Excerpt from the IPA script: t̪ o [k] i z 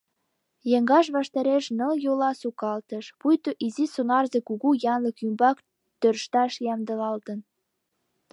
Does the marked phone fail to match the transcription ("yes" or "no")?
yes